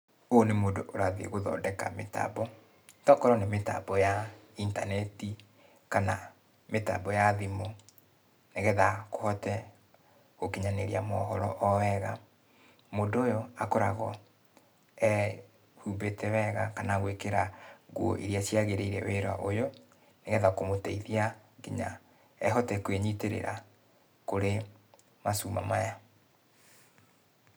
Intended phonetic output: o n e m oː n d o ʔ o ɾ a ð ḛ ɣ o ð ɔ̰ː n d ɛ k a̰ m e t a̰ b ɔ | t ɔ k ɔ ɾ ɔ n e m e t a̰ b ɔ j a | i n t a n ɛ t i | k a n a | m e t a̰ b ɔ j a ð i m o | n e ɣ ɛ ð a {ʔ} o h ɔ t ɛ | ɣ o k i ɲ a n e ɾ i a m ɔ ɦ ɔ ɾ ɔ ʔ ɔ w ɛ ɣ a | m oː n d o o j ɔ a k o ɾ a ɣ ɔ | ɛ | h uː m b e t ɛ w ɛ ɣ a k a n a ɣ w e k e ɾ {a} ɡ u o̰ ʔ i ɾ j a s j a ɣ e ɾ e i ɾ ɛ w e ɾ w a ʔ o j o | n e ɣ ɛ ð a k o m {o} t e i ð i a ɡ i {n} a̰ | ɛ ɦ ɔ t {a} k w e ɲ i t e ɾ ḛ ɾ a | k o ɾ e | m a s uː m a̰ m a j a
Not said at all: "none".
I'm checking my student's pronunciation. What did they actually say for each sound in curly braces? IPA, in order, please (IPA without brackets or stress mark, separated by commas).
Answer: k, a, o, ɲ, ɛ